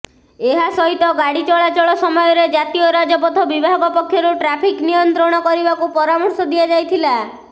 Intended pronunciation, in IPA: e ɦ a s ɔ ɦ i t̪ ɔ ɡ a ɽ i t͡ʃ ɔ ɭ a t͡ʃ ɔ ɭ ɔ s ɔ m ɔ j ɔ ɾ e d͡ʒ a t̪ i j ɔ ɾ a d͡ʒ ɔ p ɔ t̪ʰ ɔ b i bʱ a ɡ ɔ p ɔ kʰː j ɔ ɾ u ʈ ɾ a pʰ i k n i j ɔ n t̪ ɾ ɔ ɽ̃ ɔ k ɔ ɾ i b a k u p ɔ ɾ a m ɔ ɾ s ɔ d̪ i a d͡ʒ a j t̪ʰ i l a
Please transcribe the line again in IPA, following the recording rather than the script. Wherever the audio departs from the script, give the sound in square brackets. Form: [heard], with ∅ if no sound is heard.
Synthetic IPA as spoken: e ɦ a s ɔ ɦ i t̪ ɔ ɡ a ɽ i t͡ʃ ɔ ɭ a t͡ʃ ɔ ɭ ɔ s ɔ m ɔ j ɔ ɾ e d͡ʒ a t̪ i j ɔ ɾ a d͡ʒ ɔ p ɔ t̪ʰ ɔ b i bʱ a ɡ ɔ p ɔ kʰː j ɔ ɾ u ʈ ɾ a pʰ i k n i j ɔ n t̪ ɾ ɔ ɽ̃ ɔ k ɔ ɾ i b a k u p ɔ ɾ a m ɔ ɾ s ɔ d̪ i a d͡ʒ a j t̪ʰ i l a